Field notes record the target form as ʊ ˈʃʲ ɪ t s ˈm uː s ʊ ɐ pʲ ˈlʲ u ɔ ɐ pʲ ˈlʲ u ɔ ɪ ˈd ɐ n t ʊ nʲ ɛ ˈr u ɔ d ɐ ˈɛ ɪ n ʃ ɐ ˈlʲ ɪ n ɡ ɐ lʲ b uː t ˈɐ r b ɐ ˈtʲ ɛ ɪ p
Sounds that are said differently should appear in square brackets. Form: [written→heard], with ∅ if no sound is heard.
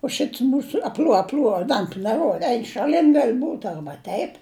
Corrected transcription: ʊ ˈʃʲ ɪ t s ˈm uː s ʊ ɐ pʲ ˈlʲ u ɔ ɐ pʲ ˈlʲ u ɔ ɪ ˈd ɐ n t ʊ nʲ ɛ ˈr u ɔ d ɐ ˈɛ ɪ n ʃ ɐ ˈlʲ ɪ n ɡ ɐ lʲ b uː t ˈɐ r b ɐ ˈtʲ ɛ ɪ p